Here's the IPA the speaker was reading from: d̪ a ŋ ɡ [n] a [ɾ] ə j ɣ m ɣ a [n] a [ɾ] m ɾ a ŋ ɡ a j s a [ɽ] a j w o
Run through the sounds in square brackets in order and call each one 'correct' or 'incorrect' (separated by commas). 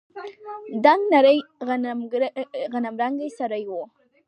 correct, correct, correct, incorrect, incorrect